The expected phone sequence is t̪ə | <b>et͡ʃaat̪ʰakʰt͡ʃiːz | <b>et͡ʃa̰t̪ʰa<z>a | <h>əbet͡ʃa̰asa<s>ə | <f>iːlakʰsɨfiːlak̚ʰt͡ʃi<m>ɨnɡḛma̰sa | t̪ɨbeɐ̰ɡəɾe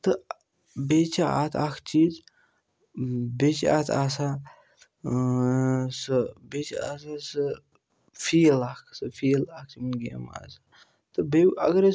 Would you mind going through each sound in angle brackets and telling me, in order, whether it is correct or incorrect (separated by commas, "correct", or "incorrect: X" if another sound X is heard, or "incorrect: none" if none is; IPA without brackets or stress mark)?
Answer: correct, correct, incorrect: s, incorrect: s, correct, correct, correct